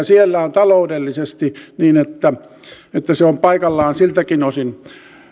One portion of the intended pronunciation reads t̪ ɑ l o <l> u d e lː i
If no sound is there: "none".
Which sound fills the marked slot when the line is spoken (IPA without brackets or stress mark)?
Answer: none